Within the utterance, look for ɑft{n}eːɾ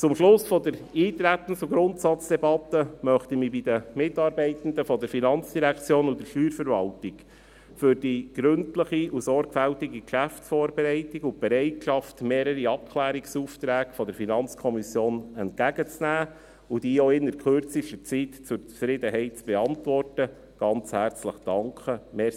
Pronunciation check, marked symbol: incorrect: m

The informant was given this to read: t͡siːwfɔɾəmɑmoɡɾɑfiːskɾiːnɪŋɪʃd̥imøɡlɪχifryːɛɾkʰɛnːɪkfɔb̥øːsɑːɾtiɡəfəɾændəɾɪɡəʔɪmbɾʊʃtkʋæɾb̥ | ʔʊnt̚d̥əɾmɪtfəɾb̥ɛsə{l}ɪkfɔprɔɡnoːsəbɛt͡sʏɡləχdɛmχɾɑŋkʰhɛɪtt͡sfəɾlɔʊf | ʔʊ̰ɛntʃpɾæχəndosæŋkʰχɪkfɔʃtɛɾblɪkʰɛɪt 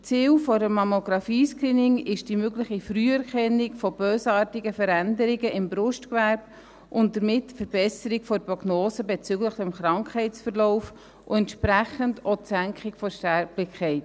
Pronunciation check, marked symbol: incorrect: ɾ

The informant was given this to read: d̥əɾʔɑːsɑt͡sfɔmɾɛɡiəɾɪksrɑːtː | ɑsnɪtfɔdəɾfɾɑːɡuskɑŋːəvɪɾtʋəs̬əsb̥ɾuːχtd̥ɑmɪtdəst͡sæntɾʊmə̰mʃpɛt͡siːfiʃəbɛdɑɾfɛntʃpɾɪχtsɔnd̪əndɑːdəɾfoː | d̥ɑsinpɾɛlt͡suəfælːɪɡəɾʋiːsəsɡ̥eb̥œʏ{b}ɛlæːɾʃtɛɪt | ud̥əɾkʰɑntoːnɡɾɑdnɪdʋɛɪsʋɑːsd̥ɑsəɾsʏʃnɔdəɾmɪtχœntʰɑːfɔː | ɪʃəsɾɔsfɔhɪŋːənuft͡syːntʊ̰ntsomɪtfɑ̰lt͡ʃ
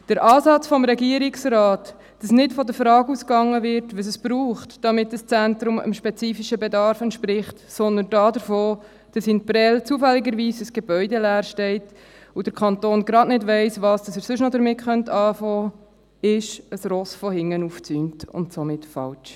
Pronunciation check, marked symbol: incorrect: d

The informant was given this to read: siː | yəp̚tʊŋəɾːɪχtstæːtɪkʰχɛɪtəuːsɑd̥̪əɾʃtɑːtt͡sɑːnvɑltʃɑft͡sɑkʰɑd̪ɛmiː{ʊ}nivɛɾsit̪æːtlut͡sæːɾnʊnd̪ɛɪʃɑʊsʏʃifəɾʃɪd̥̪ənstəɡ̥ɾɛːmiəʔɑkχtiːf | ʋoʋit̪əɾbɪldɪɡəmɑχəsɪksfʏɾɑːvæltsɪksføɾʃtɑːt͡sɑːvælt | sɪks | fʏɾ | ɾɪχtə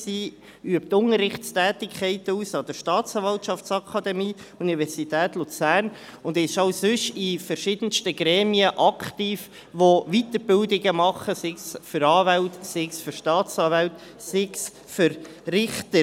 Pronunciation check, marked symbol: incorrect: u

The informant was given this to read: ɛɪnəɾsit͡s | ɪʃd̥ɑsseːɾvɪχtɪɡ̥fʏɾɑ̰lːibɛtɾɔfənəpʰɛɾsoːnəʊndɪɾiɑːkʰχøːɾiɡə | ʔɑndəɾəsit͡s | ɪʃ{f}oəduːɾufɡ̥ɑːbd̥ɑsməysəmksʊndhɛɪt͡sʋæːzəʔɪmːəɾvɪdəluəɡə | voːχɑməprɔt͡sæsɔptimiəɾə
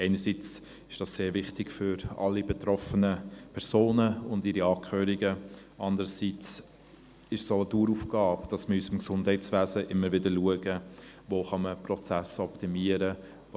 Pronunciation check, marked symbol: incorrect: s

